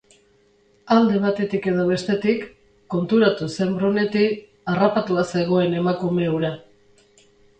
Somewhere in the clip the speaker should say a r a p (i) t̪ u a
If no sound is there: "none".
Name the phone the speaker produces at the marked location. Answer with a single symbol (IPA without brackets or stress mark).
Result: a